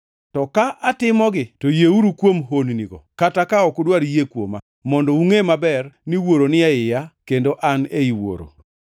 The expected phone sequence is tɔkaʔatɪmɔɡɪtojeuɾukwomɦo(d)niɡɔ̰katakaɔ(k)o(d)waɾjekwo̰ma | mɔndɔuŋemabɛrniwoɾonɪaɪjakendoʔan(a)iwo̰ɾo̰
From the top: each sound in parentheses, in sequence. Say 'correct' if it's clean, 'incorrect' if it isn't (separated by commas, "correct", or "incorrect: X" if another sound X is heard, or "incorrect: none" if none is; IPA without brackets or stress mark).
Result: incorrect: n, correct, correct, incorrect: e